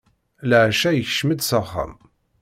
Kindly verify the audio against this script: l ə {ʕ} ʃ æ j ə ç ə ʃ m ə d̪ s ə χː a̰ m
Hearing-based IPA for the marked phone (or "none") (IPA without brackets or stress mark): ʕ